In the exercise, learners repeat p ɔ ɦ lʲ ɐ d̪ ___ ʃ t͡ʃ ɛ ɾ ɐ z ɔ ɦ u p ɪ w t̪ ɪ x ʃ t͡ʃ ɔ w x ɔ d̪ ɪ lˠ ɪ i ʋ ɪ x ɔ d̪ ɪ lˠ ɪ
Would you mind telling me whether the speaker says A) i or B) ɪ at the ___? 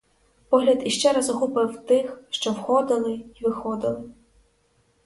A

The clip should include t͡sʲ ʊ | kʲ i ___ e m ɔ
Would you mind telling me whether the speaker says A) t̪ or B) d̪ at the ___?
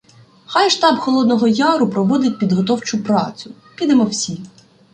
B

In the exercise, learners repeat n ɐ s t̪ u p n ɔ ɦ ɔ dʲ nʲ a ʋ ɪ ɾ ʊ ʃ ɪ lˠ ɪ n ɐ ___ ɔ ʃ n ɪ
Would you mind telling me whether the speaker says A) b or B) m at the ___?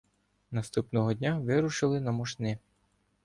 B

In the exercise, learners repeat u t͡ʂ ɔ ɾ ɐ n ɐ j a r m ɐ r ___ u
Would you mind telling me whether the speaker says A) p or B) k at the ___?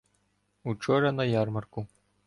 B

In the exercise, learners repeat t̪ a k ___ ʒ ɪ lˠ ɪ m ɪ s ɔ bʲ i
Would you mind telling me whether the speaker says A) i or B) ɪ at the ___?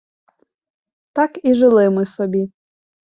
A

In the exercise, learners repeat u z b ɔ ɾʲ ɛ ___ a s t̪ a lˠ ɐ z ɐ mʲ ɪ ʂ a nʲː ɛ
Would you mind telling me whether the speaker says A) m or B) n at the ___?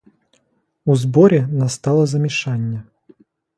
B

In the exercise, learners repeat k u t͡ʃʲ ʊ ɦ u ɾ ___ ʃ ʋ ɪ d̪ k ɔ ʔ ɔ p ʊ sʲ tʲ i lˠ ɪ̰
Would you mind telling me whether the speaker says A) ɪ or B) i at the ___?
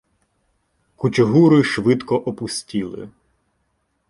A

